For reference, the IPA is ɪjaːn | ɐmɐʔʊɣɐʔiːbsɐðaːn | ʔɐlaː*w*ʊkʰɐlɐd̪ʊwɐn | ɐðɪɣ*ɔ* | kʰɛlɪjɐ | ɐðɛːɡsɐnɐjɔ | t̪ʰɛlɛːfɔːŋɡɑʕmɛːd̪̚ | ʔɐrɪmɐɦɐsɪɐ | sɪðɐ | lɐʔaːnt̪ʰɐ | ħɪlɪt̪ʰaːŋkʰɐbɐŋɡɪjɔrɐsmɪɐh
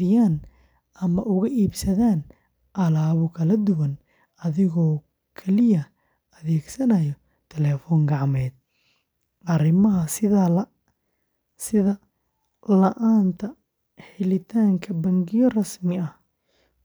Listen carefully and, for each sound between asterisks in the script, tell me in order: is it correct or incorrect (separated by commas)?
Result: incorrect, incorrect